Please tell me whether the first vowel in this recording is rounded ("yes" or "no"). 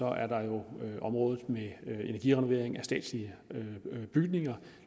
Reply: yes